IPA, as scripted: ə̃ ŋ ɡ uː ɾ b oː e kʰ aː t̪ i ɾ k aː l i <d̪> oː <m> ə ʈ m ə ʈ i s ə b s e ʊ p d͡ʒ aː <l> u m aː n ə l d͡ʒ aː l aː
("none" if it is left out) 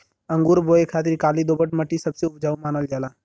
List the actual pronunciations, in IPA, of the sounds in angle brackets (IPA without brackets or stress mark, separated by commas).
d̪, b, none